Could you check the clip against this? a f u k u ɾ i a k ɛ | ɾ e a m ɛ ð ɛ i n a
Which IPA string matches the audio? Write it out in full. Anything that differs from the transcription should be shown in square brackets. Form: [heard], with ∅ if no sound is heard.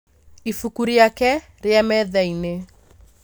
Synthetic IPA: [i] f u k u ɾ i a k ɛ | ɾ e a m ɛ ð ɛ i n [e]